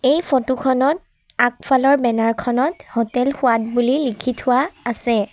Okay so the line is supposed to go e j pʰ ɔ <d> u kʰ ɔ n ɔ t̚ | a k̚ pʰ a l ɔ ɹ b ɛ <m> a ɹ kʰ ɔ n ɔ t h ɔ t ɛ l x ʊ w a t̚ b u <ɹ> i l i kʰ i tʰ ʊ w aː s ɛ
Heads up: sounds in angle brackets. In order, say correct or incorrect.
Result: incorrect: t, incorrect: n, incorrect: l

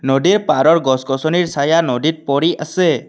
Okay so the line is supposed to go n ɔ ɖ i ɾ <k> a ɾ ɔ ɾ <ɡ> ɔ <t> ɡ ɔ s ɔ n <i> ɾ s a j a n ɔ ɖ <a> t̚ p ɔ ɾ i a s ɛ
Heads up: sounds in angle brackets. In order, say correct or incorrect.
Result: incorrect: p, correct, incorrect: s, correct, incorrect: i

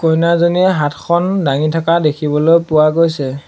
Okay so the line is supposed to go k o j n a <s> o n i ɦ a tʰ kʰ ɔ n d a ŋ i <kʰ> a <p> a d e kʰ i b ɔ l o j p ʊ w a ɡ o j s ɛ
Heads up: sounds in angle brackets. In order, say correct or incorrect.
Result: incorrect: z, incorrect: tʰ, incorrect: k

